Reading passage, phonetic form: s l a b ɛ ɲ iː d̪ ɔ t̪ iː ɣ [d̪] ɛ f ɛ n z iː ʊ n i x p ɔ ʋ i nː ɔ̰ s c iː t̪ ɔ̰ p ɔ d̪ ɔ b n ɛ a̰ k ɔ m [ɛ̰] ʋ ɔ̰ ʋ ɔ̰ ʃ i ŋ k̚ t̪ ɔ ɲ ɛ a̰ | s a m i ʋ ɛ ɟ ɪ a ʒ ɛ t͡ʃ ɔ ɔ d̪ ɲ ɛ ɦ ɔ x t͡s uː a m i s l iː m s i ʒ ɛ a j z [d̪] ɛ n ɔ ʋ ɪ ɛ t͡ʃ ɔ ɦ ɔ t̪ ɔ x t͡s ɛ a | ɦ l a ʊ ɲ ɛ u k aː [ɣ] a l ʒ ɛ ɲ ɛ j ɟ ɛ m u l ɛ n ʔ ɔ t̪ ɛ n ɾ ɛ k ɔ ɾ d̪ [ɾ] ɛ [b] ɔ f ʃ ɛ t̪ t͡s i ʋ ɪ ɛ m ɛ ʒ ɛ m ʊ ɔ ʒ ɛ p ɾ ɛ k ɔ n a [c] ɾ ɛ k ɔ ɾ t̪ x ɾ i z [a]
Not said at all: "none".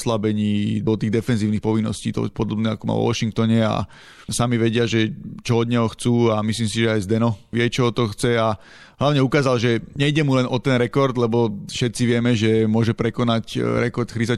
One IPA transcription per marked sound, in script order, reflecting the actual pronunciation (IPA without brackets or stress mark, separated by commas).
d̪, a̰, d̪, z, l, b, c, a